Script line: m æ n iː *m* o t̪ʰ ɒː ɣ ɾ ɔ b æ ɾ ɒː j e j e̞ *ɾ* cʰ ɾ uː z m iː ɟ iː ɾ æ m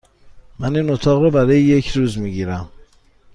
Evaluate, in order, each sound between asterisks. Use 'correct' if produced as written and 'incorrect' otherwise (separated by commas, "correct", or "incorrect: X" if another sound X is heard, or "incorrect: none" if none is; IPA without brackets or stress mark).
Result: incorrect: n, incorrect: none